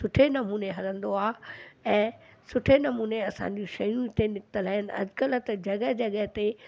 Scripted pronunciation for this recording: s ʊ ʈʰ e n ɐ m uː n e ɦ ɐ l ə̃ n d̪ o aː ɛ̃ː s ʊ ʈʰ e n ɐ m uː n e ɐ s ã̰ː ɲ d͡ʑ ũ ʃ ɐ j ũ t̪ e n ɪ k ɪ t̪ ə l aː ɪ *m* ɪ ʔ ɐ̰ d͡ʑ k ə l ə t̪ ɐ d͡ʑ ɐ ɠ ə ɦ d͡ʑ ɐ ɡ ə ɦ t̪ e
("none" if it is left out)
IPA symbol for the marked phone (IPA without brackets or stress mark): n